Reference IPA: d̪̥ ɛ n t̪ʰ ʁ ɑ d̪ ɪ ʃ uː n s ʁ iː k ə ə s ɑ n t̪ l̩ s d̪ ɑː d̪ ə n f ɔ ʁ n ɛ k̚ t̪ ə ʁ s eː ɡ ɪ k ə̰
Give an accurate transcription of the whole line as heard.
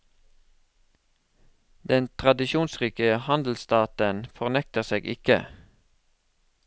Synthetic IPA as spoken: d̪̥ ɛ n t̪ʰ ʁ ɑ d̪ ɪ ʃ uː n s ʁ iː k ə ə h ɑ n d̪ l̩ s t̪ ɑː t̪ ə n f ɔ ʁ n ɛ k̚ t̪ ə ʁ s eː ɡ ɪ k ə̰